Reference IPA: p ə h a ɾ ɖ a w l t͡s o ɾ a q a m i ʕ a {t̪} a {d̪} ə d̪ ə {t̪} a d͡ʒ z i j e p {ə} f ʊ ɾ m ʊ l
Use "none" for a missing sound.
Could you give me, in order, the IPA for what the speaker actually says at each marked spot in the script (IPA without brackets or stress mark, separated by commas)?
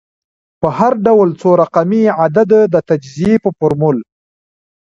d̪, d̪, t̪, ə